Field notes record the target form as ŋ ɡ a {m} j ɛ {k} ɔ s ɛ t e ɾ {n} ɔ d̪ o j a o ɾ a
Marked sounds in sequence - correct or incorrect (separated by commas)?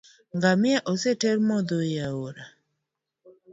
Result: correct, incorrect, incorrect